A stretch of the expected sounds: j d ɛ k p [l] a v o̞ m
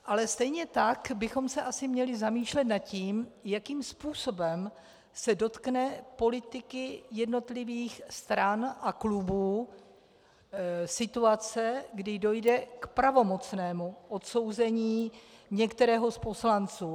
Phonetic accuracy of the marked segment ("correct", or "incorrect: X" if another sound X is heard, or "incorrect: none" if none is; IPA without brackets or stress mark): incorrect: ɾ